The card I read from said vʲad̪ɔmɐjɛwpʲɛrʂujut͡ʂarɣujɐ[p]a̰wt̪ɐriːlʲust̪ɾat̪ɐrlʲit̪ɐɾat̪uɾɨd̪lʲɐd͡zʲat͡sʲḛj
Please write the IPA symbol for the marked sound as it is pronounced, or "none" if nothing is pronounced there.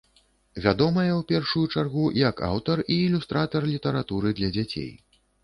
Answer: k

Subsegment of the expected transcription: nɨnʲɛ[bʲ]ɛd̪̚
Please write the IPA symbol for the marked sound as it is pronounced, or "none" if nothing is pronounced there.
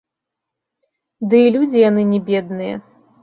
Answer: bʲ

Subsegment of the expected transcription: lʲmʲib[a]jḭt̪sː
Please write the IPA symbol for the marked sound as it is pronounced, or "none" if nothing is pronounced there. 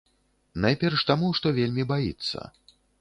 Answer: a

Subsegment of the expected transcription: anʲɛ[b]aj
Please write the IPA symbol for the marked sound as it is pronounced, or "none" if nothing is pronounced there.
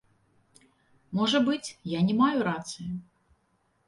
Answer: m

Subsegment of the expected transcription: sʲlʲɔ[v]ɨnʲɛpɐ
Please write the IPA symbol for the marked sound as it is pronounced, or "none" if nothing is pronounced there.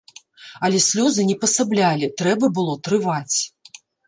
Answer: z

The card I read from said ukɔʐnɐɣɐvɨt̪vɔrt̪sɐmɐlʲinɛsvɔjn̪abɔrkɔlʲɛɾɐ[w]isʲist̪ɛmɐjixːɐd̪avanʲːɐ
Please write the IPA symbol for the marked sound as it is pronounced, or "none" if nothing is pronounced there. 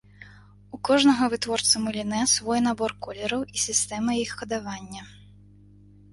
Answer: w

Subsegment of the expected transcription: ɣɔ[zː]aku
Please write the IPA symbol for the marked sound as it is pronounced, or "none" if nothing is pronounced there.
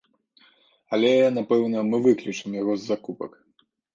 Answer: zː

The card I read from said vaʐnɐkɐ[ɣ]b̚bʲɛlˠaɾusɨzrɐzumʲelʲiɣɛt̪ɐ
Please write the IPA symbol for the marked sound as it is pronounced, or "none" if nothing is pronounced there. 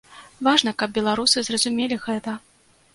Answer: none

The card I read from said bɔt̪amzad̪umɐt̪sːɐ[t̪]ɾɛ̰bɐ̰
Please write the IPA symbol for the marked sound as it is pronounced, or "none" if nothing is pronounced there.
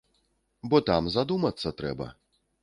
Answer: t̪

